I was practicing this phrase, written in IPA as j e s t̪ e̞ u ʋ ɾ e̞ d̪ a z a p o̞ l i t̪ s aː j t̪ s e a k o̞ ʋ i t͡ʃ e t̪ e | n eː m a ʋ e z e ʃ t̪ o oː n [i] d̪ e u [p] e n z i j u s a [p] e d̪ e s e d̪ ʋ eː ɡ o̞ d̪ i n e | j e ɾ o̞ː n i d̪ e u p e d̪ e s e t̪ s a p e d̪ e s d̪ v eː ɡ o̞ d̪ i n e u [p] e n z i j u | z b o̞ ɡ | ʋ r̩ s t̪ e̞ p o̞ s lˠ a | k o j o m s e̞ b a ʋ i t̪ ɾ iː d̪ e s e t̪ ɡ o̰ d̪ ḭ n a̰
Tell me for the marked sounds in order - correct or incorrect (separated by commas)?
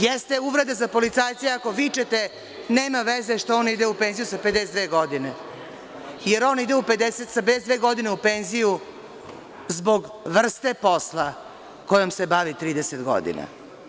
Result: correct, correct, correct, correct